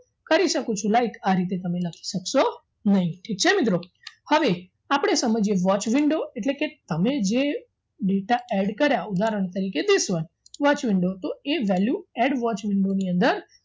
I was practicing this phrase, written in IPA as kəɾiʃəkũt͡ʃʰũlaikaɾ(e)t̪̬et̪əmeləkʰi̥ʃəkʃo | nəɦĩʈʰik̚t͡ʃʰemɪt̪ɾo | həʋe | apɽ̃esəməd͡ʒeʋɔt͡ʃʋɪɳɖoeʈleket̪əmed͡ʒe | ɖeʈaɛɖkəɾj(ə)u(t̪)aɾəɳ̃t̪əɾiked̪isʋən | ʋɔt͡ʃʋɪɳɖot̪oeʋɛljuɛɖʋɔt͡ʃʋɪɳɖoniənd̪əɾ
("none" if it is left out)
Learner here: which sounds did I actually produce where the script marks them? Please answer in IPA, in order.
i, a, d̪

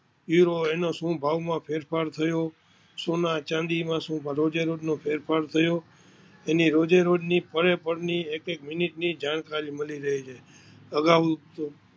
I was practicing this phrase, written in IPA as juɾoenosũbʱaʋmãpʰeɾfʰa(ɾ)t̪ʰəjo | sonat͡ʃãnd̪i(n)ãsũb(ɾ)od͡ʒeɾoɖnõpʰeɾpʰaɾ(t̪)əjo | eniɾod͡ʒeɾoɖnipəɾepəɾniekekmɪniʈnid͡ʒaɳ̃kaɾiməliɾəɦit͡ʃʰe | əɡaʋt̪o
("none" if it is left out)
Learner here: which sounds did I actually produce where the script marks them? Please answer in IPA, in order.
ɾ, m, ɾ, t̪ʰ

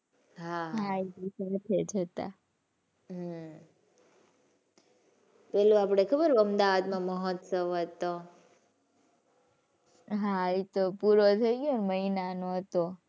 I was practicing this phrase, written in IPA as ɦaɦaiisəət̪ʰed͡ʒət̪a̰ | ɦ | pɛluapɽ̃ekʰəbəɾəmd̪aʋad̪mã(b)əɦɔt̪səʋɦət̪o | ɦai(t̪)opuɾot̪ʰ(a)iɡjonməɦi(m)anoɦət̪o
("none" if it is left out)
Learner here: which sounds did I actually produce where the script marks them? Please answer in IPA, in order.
m, t̪, ə, n

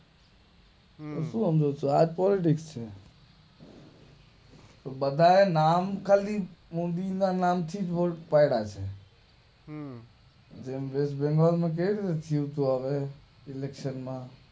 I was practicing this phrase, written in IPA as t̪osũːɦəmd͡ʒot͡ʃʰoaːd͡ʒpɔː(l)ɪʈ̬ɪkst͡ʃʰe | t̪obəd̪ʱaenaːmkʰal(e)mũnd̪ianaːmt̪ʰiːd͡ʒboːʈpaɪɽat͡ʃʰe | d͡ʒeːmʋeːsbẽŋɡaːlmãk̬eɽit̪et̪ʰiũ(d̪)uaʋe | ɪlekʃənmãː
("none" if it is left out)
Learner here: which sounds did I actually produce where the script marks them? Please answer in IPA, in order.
l, i, t̪

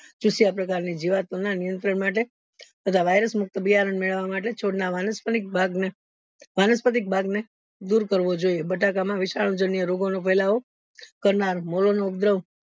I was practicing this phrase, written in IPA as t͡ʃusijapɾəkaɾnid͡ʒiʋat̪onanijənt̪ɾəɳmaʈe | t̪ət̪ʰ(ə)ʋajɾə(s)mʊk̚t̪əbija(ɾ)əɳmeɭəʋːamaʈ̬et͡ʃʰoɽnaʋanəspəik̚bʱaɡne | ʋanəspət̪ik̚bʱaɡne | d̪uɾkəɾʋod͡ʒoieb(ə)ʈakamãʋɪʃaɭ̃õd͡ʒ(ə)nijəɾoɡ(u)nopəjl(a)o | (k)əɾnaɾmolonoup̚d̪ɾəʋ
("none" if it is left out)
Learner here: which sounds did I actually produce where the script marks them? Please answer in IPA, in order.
a, s, ɾ, ə, ə, o, a, k

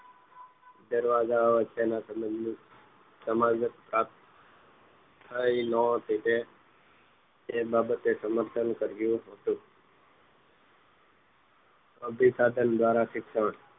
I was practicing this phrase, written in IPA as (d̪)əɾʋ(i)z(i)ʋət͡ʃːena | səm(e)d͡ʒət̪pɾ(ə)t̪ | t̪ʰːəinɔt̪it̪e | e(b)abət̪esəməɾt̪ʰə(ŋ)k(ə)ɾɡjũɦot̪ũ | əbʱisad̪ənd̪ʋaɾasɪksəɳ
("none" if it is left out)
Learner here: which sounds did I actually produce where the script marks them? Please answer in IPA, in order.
d̪, a, a, a, a, b, n, ə

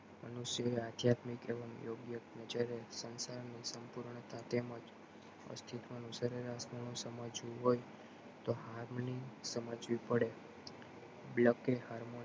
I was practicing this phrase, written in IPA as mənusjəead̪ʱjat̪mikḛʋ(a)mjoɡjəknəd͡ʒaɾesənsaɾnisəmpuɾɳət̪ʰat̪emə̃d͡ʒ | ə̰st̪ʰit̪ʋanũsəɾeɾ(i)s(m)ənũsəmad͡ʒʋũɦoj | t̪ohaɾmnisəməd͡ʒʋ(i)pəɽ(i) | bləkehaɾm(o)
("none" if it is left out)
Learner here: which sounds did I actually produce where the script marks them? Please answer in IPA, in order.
ə, a, m, i, e, o

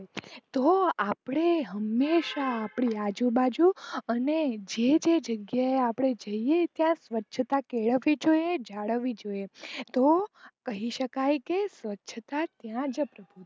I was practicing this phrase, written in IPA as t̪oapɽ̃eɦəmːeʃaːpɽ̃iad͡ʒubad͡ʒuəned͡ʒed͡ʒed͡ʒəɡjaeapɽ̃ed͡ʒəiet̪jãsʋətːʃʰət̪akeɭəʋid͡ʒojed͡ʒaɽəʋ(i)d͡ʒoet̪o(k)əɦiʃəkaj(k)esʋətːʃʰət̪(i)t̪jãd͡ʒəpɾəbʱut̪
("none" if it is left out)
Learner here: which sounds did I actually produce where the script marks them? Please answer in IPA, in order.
i, k, k, a

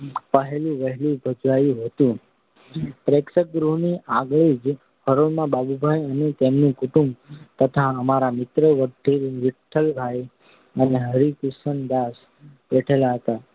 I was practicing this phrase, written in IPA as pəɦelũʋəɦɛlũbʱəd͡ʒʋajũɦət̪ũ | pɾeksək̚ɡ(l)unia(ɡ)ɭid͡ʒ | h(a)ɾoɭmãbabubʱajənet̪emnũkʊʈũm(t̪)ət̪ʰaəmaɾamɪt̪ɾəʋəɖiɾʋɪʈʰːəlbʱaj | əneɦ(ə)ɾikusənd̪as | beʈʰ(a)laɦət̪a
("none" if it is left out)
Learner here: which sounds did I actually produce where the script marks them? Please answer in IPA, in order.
ɾ, ɡ, ə, t̪, ə, e

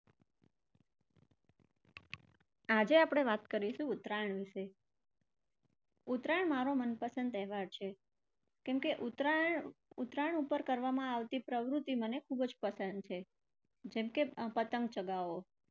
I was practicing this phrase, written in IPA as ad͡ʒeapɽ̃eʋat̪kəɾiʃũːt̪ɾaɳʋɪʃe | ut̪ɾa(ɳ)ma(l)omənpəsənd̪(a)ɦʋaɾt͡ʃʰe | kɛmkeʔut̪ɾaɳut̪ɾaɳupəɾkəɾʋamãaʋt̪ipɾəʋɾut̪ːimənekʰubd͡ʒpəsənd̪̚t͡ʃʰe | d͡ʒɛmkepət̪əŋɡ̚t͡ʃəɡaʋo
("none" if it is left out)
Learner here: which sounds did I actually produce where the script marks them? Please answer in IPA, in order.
ɳ, ɾ, ɛ

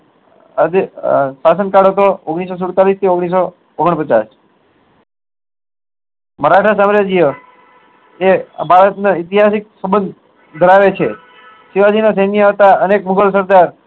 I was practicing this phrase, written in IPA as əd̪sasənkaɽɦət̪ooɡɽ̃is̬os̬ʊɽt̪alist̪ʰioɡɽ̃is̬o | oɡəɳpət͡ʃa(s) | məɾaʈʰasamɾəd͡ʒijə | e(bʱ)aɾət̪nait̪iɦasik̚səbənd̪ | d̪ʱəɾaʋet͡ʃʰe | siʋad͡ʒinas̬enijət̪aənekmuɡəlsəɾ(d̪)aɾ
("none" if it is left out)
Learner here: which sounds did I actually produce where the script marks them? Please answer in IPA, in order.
s, bʱ, d̪

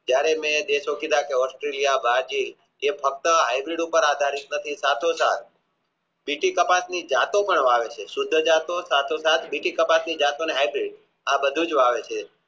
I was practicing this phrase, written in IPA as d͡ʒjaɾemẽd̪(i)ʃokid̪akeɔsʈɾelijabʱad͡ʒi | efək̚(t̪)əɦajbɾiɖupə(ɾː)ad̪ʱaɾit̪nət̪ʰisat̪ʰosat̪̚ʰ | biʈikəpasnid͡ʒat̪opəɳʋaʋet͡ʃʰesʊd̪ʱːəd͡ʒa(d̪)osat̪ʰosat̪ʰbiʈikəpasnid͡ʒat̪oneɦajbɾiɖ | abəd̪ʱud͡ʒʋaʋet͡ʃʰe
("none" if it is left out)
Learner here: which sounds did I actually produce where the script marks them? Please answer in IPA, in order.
e, t̪, ɾ, t̪

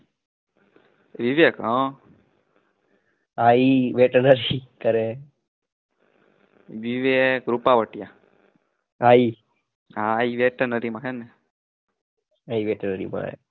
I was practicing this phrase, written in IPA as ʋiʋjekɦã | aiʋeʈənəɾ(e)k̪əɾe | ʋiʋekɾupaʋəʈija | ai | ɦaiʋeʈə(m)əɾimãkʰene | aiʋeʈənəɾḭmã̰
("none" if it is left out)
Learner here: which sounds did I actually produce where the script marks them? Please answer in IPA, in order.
i, n

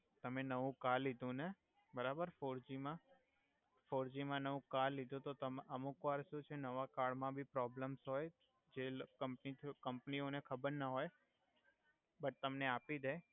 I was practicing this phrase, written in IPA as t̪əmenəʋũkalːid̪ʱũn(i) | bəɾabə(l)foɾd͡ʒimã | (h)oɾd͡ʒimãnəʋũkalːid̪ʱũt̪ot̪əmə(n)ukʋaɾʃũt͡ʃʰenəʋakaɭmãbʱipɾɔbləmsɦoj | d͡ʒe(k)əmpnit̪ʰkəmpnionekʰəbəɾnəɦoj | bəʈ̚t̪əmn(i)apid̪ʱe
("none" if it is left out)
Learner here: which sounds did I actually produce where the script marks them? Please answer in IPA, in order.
e, ɾ, f, m, k, e

